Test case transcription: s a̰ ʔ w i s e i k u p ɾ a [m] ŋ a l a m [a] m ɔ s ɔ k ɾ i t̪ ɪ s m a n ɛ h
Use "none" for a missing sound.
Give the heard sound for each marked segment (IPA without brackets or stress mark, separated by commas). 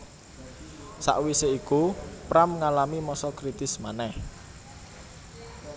m, i